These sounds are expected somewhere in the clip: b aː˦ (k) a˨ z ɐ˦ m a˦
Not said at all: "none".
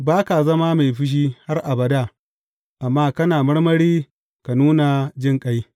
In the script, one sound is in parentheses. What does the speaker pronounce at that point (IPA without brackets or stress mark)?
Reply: k